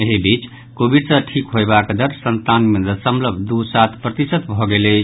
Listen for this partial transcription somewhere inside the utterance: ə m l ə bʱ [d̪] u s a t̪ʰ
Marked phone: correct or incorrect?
correct